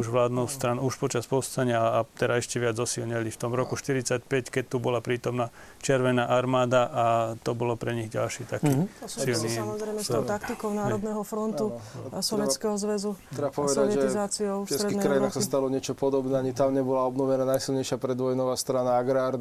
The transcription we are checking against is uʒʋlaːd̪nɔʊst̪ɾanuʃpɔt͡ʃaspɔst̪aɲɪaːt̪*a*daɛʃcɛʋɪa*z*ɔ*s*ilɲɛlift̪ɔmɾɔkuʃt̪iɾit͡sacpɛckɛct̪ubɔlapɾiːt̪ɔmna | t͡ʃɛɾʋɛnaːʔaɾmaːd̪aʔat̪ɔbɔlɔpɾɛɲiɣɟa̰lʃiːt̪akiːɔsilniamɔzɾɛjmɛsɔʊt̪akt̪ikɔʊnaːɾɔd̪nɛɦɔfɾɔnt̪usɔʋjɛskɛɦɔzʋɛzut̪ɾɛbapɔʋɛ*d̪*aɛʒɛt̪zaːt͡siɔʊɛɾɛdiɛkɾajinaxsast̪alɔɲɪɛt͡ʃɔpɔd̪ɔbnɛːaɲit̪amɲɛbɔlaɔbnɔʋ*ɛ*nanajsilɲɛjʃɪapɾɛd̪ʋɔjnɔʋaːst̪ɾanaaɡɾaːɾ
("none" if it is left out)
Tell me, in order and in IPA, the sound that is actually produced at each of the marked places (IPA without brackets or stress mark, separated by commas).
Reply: ɛ, d͡z, s, d̪, ɛ